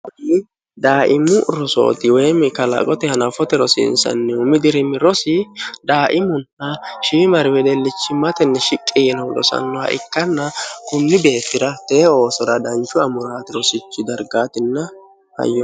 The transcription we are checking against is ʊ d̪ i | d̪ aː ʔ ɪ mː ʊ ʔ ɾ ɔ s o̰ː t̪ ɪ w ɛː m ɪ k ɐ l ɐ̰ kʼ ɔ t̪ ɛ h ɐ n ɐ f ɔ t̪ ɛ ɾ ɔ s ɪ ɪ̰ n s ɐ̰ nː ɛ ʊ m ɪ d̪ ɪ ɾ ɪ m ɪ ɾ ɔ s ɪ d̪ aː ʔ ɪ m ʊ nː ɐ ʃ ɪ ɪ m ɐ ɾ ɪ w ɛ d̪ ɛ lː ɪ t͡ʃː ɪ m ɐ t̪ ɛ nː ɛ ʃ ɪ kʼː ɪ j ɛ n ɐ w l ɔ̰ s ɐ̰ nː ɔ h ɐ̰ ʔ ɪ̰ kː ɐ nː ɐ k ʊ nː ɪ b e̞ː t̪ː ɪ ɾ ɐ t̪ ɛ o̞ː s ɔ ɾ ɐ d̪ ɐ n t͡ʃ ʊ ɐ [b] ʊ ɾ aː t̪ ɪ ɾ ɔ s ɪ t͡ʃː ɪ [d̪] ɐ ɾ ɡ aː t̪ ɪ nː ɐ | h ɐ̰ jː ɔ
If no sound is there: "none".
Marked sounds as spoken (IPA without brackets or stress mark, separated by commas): m, d̪